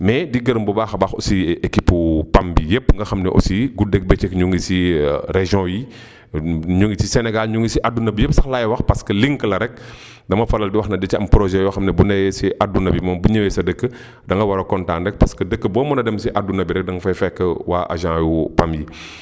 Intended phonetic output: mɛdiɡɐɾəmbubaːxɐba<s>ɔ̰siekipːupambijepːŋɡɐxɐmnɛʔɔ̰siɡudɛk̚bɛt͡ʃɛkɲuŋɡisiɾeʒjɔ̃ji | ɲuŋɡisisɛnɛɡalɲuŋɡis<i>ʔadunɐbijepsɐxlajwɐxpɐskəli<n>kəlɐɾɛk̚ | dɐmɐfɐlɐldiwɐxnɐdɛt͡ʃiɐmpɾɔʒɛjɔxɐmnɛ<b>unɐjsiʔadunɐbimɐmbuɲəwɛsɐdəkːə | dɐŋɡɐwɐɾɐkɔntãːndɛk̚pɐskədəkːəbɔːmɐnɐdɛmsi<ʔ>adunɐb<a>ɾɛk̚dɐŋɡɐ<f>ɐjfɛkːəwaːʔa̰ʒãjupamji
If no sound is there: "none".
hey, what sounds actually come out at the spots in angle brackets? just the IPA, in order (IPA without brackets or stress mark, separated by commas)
x, i, ŋ, b, ʔ, i, f